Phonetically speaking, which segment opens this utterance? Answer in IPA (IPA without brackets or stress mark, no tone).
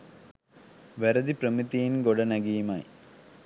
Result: ʋ